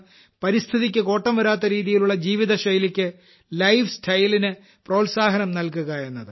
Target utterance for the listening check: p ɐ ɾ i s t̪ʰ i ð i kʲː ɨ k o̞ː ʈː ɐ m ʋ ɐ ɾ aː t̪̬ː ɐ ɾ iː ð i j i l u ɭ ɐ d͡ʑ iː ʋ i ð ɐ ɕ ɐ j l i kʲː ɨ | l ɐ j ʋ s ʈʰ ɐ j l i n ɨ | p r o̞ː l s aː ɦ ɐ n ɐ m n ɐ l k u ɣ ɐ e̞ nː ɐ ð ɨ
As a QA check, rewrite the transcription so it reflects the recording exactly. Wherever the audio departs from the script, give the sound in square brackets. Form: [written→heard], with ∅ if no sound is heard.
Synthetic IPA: p ɐ ɾ i s t̪ʰ i ð i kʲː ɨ k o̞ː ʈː ɐ m ʋ ɐ ɾ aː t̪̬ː ɐ ɾ iː ð i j i l u [ɭ→ɭː] ɐ d͡ʑ iː ʋ i ð ɐ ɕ ɐ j l i kʲː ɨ | l ɐ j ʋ s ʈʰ ɐ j l i n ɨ | p r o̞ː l s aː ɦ ɐ n ɐ m n ɐ l k u ɣ ɐ e̞ nː ɐ ð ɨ

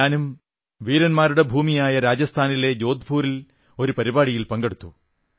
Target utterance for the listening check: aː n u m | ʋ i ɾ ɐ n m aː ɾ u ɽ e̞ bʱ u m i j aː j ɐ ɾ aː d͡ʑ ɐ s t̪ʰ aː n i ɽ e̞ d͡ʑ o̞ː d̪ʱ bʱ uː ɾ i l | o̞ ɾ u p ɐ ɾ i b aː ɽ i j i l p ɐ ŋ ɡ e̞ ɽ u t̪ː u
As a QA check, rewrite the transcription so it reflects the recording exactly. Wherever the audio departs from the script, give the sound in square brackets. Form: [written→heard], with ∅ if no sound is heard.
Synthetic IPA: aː n u m | ʋ [i→iː] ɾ ɐ n m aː ɾ u ɽ e̞ bʱ [u→uː] m i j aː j ɐ ɾ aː d͡ʑ ɐ s t̪ʰ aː n i [ɽ→l] e̞ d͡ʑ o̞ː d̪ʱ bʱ uː ɾ i l | o̞ ɾ u p ɐ ɾ i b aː ɽ i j i l p ɐ ŋ ɡ e̞ ɽ u t̪ː u

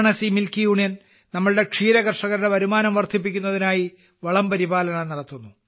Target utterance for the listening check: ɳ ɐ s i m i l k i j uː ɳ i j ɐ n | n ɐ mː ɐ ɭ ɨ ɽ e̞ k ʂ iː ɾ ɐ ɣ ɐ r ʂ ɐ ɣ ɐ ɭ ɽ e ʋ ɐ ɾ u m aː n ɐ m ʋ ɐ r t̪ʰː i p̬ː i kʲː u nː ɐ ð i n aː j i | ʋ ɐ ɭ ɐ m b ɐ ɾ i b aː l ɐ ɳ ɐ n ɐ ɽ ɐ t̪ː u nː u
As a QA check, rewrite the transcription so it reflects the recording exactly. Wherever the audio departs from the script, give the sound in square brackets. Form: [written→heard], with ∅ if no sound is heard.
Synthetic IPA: ɳ ɐ s i m i l k i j uː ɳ i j ɐ n | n ɐ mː ɐ ɭ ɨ ɽ e̞ k ʂ iː ɾ ɐ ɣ ɐ r ʂ ɐ ɣ ɐ [ɭ→ɾ] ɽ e ʋ ɐ ɾ u m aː n ɐ m ʋ ɐ r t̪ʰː i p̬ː i kʲː u nː ɐ ð i n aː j i | ʋ ɐ ɭ ɐ m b ɐ ɾ i b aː l ɐ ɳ ɐ n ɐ ɽ ɐ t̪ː u nː u

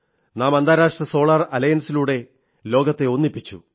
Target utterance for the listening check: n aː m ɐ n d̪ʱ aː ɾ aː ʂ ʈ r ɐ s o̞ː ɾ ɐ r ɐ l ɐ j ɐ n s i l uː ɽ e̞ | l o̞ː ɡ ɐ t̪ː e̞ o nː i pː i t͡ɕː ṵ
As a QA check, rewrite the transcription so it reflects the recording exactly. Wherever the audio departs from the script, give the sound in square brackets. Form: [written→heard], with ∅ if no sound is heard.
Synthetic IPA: n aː m ɐ n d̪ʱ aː ɾ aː ʂ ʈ r ɐ s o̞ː [ɾ→ɭ] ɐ r ɐ l ɐ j ɐ n s i l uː ɽ e̞ | l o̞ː ɡ ɐ t̪ː e̞ o nː i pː i t͡ɕː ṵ

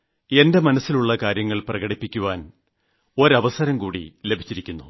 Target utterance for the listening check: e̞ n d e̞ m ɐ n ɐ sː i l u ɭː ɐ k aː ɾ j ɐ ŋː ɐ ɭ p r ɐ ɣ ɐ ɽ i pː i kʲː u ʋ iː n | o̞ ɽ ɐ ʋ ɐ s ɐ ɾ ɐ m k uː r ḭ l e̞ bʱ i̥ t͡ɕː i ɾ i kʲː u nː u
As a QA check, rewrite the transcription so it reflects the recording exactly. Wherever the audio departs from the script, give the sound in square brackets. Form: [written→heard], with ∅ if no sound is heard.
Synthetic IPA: e̞ n d e̞ m ɐ n ɐ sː i l u ɭː ɐ k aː ɾ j ɐ ŋː ɐ ɭ p r ɐ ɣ ɐ ɽ i pː i kʲː u ʋ [iː→aː] n | o̞ [ɽ→ɾ] ɐ ʋ ɐ s ɐ ɾ ɐ m k uː [r→ɽ] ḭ l e̞ bʱ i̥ t͡ɕː i ɾ i kʲː u nː u

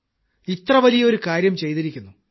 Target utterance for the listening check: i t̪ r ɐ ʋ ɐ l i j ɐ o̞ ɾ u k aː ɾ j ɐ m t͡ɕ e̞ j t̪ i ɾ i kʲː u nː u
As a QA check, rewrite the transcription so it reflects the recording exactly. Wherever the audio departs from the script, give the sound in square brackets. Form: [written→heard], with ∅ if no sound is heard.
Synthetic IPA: i t̪ r ɐ ʋ ɐ l i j ɐ o̞ ɾ u k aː ɾ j ɐ m t͡ɕ e̞ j t̪ i ɾ i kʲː u nː u

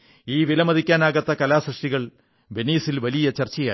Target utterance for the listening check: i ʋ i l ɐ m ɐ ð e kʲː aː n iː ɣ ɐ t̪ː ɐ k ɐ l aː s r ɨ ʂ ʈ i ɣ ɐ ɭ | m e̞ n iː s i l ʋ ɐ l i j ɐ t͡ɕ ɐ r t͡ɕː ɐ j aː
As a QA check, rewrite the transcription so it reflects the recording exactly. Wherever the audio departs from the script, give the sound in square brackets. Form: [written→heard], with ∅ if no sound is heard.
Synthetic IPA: [i→iː] ʋ i l ɐ m ɐ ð [e→i] kʲː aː n [iː→aː] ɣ ɐ t̪ː ɐ k ɐ l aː s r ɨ ʂ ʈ i ɣ ɐ ɭ | [m→b] e̞ n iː s i l ʋ ɐ l i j ɐ t͡ɕ ɐ r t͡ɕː ɐ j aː

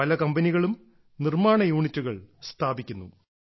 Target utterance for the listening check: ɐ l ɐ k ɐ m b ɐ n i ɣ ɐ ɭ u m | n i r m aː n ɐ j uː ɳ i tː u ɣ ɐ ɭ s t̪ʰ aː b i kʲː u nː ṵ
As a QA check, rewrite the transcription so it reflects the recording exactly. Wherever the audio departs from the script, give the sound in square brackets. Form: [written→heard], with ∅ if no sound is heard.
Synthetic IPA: ɐ l ɐ k ɐ m b ɐ n i ɣ ɐ ɭ u m | n i r m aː [n→ɳ] ɐ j uː ɳ i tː u ɣ ɐ ɭ s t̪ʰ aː b i kʲː u nː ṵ

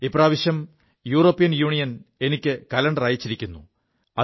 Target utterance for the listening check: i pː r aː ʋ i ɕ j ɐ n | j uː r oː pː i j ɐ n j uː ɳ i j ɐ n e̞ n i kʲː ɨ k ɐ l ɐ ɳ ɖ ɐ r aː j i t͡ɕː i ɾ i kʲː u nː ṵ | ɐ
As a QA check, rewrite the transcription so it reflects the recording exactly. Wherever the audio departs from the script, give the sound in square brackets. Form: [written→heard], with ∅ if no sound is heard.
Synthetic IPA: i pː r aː ʋ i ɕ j ɐ [n→m] | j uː r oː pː i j ɐ n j uː ɳ i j ɐ n e̞ n i kʲː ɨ k ɐ l ɐ ɳ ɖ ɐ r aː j i t͡ɕː i ɾ i kʲː u nː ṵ | ɐ

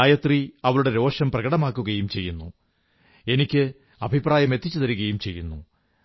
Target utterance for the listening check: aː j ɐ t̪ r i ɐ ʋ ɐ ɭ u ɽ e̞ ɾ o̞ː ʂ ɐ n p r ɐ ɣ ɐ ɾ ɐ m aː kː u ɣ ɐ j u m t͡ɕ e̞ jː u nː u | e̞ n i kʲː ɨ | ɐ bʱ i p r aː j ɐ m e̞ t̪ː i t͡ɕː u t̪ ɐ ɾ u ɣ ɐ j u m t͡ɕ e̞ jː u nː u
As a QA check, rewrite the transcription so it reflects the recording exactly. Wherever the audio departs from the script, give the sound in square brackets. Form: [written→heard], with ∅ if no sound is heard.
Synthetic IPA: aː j ɐ t̪ r i ɐ ʋ ɐ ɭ u ɽ e̞ ɾ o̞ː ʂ ɐ [n→m] p r ɐ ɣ ɐ [ɾ→ɽ] ɐ m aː kː u ɣ ɐ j u m t͡ɕ e̞ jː u nː u | e̞ n i kʲː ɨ | ɐ bʱ i p r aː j ɐ m e̞ t̪ː i t͡ɕː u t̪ ɐ ɾ u ɣ ɐ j u m t͡ɕ e̞ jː u nː u

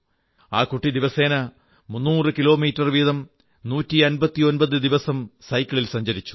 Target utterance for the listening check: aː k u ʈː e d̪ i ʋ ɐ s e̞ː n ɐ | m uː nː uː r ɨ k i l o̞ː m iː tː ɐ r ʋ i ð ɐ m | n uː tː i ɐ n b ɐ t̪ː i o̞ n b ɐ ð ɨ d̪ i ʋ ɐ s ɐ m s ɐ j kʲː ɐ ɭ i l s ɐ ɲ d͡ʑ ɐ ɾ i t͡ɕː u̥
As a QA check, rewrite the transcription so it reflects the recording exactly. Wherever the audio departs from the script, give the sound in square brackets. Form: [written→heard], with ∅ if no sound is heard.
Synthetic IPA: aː k u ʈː [e→i] d̪ i ʋ ɐ s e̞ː n ɐ | m [uː→u] nː uː r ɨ k i l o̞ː m iː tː ɐ r ʋ i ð ɐ m | n uː tː i ɐ n b ɐ t̪ː i o̞ n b ɐ ð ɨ d̪ i ʋ ɐ s ɐ m s ɐ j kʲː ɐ ɭ i l s ɐ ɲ d͡ʑ ɐ ɾ i t͡ɕː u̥

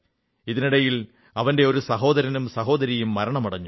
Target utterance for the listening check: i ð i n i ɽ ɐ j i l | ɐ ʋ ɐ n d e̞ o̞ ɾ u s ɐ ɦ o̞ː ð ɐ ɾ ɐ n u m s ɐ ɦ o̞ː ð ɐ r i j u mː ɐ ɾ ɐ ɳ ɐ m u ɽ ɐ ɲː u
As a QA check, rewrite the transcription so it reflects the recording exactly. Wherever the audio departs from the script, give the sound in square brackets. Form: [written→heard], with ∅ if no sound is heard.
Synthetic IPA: i ð i n i ɽ ɐ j i l | ɐ ʋ ɐ n d e̞ o̞ ɾ u s ɐ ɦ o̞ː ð ɐ ɾ ɐ n u m s ɐ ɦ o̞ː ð ɐ [r→ɾ] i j u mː ɐ ɾ ɐ ɳ ɐ m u ɽ ɐ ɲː u

